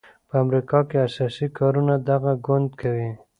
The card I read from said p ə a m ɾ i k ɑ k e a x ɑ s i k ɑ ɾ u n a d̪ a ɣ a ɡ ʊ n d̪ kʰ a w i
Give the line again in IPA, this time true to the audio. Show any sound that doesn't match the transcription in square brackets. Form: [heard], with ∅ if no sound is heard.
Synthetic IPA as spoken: p ə a m ɾ i k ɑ k e a [s] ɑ s i k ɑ ɾ u n a d̪ a ɣ a ɡ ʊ n d̪ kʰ a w i

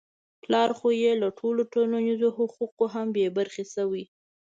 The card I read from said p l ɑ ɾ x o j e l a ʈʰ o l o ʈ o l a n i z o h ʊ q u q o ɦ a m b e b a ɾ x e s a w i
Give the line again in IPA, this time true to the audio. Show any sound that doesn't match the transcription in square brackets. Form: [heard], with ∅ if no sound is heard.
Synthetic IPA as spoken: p l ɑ ɾ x o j e l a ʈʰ o l o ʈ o l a n i z o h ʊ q u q o ɦ a m b e b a ɾ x e s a w i

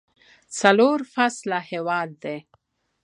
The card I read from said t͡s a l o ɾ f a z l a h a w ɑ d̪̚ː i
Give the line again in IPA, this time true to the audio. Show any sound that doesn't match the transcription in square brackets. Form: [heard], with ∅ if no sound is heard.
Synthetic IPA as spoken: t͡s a l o ɾ f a [s] l a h [e] w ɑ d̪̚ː [e]

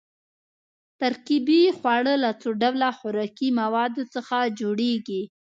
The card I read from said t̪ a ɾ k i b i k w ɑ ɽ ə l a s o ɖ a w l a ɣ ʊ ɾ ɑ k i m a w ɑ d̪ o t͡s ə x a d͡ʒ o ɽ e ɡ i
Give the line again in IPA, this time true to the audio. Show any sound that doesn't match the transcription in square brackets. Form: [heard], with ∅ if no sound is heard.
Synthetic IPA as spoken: t̪ a ɾ k i b i [x] w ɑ ɽ ə l a [t͡s] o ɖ a w l a [x] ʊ ɾ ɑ k i m a w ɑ d̪ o t͡s ə x a d͡ʒ o ɽ e ɡ i

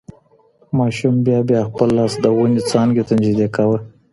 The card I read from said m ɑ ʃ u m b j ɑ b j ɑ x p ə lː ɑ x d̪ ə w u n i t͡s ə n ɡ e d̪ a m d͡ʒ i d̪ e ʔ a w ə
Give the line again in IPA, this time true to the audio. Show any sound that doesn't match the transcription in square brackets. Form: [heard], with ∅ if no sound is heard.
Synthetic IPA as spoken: m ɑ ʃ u m b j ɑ b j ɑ x p ə lː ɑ [s] d̪ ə w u n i t͡s [ɑ] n ɡ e [t̪] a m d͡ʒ i d̪ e [k] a w ə

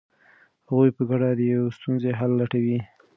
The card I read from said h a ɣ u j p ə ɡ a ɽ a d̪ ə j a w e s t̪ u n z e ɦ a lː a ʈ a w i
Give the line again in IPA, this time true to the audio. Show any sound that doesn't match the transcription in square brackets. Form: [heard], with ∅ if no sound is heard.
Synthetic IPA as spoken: h a ɣ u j p ə ɡ a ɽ a d̪ ə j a w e s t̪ u n z e ɦ a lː a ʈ a w i

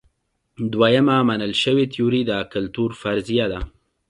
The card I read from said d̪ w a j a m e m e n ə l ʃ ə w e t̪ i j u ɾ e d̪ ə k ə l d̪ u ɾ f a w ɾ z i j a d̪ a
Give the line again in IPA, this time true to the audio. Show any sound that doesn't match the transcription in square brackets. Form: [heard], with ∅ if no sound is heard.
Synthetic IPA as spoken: d̪ w a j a m [a] m [a] n ə l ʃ ə w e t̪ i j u ɾ [i] d̪ ə k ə l [t̪] u ɾ f a [∅] ɾ z i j a d̪ a

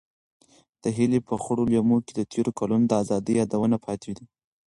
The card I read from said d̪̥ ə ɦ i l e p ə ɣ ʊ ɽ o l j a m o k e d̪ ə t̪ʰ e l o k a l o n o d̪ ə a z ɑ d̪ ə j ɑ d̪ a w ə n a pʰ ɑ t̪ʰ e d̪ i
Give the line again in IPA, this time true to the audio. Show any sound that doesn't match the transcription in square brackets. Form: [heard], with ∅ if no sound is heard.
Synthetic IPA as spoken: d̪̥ ə ɦ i l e p ə [x] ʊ ɽ o l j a m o k e d̪ ə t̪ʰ e [ɾ] o k a l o n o d̪ ə a z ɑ d̪ ə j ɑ d̪ a w ə n a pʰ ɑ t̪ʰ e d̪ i

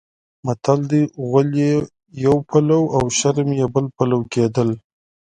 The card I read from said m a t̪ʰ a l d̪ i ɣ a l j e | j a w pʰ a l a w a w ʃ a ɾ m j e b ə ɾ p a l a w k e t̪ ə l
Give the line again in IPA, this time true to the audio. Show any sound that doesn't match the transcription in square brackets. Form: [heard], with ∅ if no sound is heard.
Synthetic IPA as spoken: m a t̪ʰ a l d̪ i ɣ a l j e | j a w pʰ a l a w a w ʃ a ɾ m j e b ə [l] p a l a w k e [d̪] ə l

